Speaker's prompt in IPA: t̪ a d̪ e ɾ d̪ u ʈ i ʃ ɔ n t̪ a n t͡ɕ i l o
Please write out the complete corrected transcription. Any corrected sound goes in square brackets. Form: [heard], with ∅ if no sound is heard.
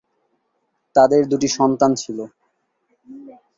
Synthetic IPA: t̪ a d̪ e ɾ d̪ u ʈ i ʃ ɔ n t̪ a n [t͡ɕʰ] i l o

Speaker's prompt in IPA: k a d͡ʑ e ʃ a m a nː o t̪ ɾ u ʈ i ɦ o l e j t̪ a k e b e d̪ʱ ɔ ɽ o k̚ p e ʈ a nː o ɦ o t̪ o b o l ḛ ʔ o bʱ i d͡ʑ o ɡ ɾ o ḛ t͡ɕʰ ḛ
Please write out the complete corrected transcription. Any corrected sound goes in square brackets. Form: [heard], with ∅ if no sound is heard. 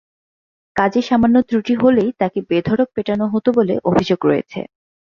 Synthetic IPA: k a d͡ʑ e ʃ a m a nː o t̪ ɾ u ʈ i ɦ o l e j t̪ a k e b e d̪ʱ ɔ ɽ o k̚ p e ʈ a [n] o ɦ o t̪ o b o l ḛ ʔ o bʱ i d͡ʑ o ɡ ɾ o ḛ t͡ɕʰ ḛ

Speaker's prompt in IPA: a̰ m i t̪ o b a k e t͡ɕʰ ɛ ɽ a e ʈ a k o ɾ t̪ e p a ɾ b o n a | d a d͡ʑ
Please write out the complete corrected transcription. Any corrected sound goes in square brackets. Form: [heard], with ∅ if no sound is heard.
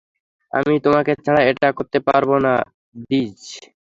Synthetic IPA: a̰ m i t̪ o [m] a k e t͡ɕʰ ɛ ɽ a e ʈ a k o ɾ t̪ e p a ɾ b o n a | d [i] d͡ʑ

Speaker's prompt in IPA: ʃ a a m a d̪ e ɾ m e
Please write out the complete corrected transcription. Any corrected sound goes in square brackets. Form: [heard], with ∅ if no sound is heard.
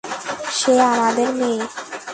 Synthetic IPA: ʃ [e] a m a d̪ e ɾ m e

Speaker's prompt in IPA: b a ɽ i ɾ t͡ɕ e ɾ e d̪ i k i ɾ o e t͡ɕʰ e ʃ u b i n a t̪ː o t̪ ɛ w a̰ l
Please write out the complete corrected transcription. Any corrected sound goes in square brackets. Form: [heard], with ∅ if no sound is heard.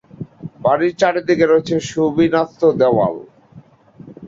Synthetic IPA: b a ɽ i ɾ t͡ɕ [a] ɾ e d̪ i k [e] ɾ o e t͡ɕʰ e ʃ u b i n a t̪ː o [d̪] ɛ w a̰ l

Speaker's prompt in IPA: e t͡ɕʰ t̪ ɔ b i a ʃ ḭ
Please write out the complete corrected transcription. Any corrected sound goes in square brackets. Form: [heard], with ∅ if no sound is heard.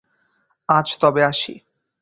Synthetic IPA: [a] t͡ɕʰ t̪ ɔ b [e] a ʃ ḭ

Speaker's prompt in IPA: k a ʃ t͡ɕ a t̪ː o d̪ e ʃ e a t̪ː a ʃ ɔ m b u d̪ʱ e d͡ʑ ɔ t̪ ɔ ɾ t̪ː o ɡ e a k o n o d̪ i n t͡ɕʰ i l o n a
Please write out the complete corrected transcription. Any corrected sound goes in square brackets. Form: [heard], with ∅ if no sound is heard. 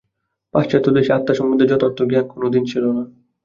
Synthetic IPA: [p] a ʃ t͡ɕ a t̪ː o d̪ e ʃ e a t̪ː a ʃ ɔ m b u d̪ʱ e d͡ʑ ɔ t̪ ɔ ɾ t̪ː o ɡ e a k o n o d̪ i n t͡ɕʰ i l o n a

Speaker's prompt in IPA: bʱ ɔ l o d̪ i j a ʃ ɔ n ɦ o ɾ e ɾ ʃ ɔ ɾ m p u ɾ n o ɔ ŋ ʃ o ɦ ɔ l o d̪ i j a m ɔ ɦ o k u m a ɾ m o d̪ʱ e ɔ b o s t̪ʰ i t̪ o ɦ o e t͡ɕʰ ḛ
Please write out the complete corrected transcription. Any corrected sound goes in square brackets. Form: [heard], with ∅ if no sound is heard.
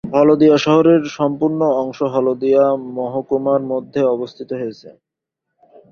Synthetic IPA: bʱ ɔ l o d̪ i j a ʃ ɔ [∅] ɦ o ɾ e ɾ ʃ ɔ [∅] m p u ɾ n o ɔ ŋ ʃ o ɦ ɔ l o d̪ i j a m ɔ ɦ o k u m a ɾ m o [d̪ʱː] e ɔ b o s t̪ʰ i t̪ o ɦ o e t͡ɕʰ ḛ

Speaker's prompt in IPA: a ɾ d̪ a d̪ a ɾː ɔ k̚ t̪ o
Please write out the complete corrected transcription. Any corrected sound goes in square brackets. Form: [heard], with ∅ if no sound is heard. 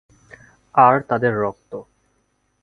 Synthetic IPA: a ɾ [t̪] a d̪ [e] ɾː ɔ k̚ t̪ o

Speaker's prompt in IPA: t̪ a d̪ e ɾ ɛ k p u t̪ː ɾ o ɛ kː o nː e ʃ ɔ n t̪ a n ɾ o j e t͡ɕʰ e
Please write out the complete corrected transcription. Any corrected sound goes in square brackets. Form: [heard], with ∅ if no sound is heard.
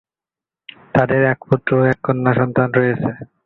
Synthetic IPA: t̪ a d̪ e ɾ ɛ k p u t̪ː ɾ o ɛ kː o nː [a] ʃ ɔ n t̪ a n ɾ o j e t͡ɕʰ e

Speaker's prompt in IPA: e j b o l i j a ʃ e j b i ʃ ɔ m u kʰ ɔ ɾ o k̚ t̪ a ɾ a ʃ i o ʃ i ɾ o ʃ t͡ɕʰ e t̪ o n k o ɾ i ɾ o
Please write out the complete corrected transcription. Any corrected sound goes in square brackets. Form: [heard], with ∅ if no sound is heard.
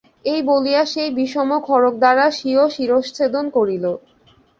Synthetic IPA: e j b o l i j a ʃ e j b i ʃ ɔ m [o] kʰ ɔ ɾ o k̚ [d̪] a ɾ a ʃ i o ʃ i ɾ o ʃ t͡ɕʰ e [d̪] o n k o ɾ i [l] o

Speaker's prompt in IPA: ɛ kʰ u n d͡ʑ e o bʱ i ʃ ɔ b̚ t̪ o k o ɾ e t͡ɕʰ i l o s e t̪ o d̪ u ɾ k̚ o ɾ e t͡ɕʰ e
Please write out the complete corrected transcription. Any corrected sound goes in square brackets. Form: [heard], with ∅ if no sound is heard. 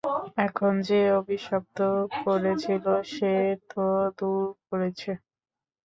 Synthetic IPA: ɛ kʰ [o] n d͡ʑ e o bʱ i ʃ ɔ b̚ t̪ o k o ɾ e t͡ɕʰ i l o [ʃ] e t̪ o d̪ u ɾ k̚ o ɾ e t͡ɕʰ e

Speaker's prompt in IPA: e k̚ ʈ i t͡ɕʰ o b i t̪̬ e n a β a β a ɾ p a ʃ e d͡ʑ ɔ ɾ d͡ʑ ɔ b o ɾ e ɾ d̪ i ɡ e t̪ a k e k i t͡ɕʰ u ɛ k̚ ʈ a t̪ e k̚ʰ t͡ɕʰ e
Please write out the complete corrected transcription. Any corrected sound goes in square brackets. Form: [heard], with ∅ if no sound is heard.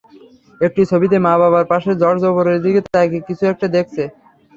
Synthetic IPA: e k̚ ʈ i t͡ɕʰ o b i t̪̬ e [m] a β a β a ɾ p a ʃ e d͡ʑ ɔ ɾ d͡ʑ ɔ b o ɾ e ɾ d̪ i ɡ e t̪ a k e k i t͡ɕʰ u ɛ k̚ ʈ a [d̪] e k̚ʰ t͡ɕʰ e

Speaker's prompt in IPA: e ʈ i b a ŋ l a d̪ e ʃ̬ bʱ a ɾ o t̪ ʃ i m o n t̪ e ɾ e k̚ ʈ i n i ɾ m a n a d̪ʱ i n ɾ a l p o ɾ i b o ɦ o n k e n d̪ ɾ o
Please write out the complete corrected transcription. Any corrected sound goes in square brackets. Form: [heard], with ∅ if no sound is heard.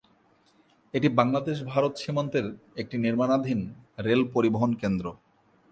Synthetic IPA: e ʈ i b a ŋ l a d̪ e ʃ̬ bʱ a ɾ o t̪ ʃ i m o n t̪ e ɾ e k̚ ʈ i n i ɾ m a n a d̪ʱ i n ɾ [e] l p o ɾ i b o ɦ o n k e n d̪ ɾ o

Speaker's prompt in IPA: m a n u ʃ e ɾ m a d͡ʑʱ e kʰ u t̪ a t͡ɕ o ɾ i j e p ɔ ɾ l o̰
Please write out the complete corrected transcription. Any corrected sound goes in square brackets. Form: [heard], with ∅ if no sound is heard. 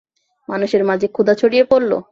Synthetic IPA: m a n u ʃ e ɾ m a d͡ʑʱ e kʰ u [d̪] a [t͡ɕʰ] o [ɽ] i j e p [o] ɾ l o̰

